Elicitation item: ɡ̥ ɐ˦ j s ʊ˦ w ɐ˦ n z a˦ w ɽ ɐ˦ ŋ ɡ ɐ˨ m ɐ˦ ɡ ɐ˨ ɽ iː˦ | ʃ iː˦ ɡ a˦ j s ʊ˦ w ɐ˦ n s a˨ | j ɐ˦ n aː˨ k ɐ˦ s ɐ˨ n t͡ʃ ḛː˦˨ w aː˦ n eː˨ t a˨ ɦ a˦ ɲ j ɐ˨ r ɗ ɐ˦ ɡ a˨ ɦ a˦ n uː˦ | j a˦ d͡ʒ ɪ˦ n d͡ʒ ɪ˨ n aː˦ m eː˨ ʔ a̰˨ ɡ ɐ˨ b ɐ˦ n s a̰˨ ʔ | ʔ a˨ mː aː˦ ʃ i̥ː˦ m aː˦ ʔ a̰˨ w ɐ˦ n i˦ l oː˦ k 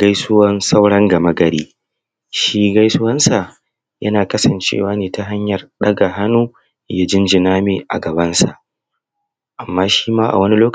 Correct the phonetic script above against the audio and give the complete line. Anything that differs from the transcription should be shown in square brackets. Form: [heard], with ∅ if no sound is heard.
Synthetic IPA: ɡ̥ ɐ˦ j s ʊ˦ w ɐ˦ n [s] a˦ w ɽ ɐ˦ ŋ ɡ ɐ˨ m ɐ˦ ɡ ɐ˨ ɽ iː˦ | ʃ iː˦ ɡ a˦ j s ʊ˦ w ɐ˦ n s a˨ | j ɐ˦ n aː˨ k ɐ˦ s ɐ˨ n t͡ʃ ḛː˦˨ w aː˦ n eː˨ t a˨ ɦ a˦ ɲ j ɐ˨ r ɗ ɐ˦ ɡ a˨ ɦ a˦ n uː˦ | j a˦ d͡ʒ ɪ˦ n d͡ʒ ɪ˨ n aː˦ m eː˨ ʔ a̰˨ ɡ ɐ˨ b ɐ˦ n s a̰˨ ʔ | ʔ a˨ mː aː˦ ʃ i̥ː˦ m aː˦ ʔ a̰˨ w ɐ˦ n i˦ l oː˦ k